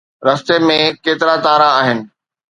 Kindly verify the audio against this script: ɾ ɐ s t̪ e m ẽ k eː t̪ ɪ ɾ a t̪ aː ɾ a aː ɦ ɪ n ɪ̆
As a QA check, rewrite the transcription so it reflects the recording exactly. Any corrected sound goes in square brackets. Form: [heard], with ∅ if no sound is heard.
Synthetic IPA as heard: ɾ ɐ s t̪ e m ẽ k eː t̪ ɪ ɾ a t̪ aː ɾ a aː ɦ ɪ n ɪ̆